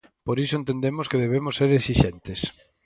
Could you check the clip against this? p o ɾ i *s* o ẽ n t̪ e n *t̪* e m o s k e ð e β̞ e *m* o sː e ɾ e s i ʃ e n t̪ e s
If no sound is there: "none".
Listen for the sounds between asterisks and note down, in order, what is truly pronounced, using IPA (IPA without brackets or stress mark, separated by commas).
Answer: s, d̪, m